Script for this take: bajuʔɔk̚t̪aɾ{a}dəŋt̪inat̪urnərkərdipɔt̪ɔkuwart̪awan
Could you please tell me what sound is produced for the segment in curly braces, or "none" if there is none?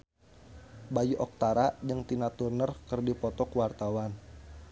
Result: a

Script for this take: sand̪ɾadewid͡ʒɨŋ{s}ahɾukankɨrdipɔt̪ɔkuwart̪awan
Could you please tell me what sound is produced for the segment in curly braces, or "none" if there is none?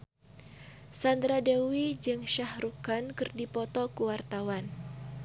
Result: ʃ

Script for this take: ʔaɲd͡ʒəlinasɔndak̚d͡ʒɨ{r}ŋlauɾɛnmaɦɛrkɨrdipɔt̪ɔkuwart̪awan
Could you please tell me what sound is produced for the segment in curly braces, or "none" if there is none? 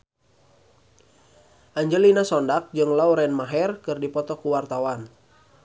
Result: none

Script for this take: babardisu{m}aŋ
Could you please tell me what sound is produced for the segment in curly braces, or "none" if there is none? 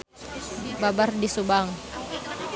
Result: b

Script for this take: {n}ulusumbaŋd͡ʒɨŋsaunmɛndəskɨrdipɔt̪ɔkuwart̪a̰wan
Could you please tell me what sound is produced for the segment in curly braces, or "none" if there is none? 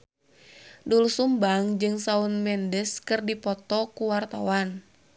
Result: d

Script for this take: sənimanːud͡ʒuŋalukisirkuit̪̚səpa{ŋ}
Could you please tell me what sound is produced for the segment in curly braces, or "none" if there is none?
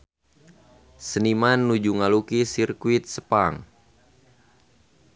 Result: ŋ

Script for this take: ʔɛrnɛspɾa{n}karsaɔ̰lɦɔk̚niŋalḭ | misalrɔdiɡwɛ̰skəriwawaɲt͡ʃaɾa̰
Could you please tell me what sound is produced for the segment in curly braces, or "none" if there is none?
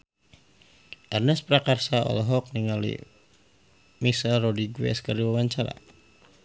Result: none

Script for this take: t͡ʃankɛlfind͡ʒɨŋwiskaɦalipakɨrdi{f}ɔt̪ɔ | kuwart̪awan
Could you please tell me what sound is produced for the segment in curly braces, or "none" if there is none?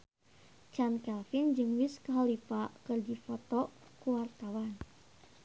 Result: f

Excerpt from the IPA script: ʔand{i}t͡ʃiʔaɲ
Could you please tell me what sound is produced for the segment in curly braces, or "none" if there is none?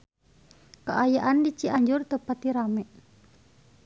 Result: i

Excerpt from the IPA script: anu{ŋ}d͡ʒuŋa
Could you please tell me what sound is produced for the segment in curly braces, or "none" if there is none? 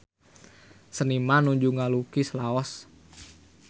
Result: ɲ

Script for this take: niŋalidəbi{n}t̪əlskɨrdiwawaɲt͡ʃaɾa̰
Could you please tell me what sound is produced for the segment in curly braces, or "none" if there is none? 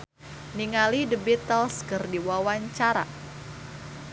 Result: none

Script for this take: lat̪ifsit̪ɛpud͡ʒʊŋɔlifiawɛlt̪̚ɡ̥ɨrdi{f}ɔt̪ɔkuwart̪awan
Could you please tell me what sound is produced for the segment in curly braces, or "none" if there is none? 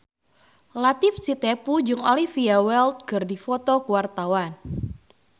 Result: f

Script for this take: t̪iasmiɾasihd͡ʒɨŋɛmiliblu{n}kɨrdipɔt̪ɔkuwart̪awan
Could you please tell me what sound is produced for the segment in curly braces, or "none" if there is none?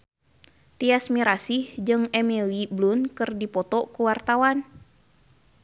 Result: n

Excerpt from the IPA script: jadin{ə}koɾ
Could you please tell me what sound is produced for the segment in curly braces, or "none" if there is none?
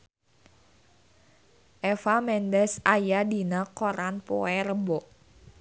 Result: a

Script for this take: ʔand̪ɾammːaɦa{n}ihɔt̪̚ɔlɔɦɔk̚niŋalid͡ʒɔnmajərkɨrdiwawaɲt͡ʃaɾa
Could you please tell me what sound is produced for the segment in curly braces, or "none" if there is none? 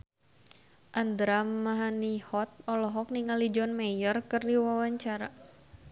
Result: n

